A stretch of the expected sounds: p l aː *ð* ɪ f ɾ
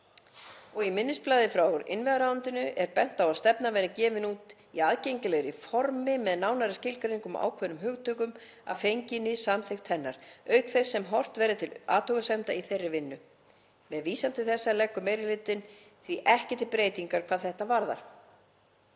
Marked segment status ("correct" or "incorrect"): correct